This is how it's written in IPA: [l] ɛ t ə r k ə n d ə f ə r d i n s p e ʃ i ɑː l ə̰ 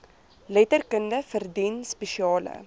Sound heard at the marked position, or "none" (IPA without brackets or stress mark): l